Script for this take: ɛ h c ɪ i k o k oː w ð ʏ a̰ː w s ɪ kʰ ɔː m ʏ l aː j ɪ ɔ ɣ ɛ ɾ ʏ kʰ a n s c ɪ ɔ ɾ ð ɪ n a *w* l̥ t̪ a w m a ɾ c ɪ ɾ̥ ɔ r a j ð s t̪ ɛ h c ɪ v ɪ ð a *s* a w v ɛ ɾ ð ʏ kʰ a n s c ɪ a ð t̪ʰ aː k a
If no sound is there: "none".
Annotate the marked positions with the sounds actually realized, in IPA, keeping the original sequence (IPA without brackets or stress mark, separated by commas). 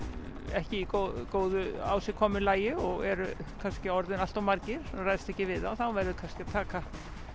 none, θ